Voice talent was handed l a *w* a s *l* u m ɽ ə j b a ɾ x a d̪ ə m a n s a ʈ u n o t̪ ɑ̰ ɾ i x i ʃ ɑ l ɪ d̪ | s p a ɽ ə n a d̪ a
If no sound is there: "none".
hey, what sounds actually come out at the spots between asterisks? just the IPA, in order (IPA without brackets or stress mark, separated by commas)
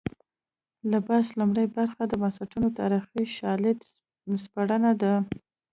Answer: b, l